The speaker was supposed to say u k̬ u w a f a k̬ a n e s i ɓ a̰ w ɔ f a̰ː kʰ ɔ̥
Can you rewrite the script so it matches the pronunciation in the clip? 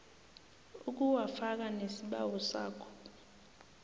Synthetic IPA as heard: u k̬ u w a f a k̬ a n e s i ɓ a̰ w ɔ s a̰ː kʰ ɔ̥